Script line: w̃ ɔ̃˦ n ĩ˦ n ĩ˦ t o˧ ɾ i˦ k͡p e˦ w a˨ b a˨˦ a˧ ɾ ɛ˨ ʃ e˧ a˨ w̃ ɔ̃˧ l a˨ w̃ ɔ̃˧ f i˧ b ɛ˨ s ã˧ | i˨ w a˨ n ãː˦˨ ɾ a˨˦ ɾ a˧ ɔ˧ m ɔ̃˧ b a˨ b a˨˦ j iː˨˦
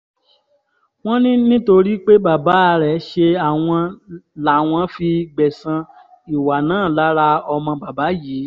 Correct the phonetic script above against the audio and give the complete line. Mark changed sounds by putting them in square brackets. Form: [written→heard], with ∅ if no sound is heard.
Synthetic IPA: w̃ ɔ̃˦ n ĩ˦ n ĩ˦ t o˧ ɾ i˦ k͡p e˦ [w→b] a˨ b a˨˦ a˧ ɾ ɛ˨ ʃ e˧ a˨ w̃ ɔ̃˧ l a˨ w̃ ɔ̃˧ f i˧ [b→ɡ͡b] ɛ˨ s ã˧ | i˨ w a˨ n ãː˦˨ [ɾ→l] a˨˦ ɾ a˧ ɔ˧ m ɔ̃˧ b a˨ b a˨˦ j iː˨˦